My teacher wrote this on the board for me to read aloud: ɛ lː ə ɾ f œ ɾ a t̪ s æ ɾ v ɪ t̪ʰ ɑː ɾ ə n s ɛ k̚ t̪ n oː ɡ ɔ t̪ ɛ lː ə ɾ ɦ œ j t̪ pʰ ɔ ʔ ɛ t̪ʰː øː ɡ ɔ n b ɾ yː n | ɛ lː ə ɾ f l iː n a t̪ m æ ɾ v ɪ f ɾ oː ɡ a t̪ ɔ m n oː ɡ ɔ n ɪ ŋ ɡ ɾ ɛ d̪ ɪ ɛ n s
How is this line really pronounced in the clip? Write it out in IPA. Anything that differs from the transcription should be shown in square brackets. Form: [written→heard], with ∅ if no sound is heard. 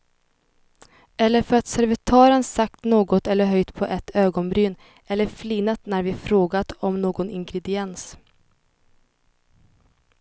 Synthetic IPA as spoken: ɛ lː ə ɾ f œ ɾ a t̪ s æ ɾ v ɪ t̪ʰ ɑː ɾ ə n s [ɛ→a] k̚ t̪ n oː ɡ ɔ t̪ ɛ lː ə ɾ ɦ œ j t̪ pʰ ɔ ʔ ɛ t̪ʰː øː ɡ ɔ n b ɾ yː n | ɛ lː ə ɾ f l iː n a t̪ [m→n] æ ɾ v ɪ f ɾ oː ɡ a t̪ ɔ m n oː ɡ ɔ n ɪ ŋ ɡ ɾ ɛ d̪ ɪ ɛ n s

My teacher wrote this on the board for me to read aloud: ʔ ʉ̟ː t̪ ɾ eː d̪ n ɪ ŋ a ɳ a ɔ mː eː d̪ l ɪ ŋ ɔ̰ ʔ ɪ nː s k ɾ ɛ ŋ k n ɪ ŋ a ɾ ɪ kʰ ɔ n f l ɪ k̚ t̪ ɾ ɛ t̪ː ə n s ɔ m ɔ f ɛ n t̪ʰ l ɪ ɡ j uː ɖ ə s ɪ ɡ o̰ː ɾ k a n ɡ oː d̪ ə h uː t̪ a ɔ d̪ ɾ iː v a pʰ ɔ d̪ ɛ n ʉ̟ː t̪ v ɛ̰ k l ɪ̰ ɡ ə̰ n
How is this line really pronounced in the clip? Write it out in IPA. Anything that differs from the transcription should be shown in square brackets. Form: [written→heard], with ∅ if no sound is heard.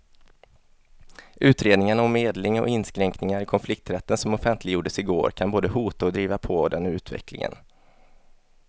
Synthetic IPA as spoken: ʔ ʉ̟ː t̪ ɾ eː d̪ n ɪ ŋ a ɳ a ɔ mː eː d̪ l ɪ ŋ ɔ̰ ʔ ɪ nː s k ɾ ɛ ŋ k n ɪ ŋ a ɾ ɪ kʰ ɔ n f l ɪ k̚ t̪ ɾ ɛ t̪ː ə n s ɔ m ɔ f ɛ n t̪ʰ l ɪ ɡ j uː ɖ ə s ɪ ɡ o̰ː ɾ [k→kʰ] a n [ɡ→b] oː d̪ ə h uː t̪ a ɔ d̪ ɾ iː v a pʰ ɔ d̪ ɛ n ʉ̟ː t̪ v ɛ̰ k l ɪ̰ [ɡ→ŋ] ə̰ n

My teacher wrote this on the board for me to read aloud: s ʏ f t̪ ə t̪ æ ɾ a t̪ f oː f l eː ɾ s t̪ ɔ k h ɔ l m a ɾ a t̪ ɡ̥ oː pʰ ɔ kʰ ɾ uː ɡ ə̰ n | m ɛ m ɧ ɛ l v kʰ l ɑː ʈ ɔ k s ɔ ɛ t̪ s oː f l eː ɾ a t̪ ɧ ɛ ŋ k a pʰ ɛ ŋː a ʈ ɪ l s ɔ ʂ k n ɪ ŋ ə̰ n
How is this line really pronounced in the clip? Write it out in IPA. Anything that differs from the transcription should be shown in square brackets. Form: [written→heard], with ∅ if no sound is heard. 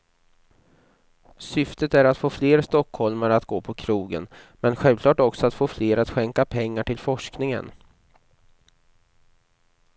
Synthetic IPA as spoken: s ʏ f t̪ ə t̪ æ ɾ a t̪ f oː f l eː ɾ s t̪ ɔ k h ɔ l m a ɾ a t̪ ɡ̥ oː pʰ ɔ kʰ ɾ uː ɡ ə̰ n | m ɛ [m→n] ɧ ɛ l v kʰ l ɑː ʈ ɔ k s ɔ [ɛ→a] t̪ [s→f] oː f l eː ɾ a t̪ ɧ ɛ ŋ k a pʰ ɛ ŋː a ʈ ɪ l [s→f] ɔ ʂ k n ɪ ŋ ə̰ n

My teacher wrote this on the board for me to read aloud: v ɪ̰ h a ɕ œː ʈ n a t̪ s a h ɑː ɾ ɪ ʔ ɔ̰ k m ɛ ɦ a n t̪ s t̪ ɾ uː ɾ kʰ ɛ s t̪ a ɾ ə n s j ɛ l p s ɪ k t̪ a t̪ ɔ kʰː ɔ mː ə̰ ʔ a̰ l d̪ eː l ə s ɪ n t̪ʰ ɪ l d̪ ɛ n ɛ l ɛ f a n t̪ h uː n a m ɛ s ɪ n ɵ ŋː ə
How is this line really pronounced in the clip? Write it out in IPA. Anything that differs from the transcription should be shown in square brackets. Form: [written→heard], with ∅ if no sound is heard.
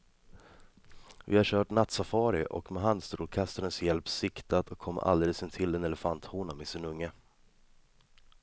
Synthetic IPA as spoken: v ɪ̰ h a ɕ œː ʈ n a t̪ s a [h→f] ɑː ɾ ɪ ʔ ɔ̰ k m ɛ ɦ a n [t̪→d̪] s t̪ ɾ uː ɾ kʰ [ɛ→a] s t̪ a ɾ ə n s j ɛ l p s ɪ k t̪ a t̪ ɔ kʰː ɔ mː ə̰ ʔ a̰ l d̪ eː l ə s ɪ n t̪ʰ ɪ l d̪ ɛ n ɛ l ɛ f a n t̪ h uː n a m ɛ s ɪ n ɵ ŋː ə

